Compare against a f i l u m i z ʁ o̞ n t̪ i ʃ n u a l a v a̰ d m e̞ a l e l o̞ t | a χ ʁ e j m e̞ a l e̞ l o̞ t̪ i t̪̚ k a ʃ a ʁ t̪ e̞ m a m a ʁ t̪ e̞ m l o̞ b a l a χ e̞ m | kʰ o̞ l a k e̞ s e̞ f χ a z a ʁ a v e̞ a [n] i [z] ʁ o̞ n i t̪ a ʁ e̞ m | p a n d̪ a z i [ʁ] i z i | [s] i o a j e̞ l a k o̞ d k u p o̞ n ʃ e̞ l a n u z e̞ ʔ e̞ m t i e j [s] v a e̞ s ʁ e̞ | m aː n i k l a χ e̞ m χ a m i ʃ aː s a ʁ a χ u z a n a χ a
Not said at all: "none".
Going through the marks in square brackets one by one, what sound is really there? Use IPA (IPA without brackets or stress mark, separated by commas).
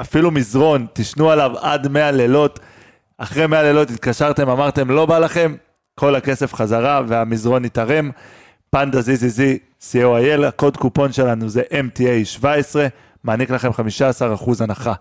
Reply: m, z, z, s, ʃ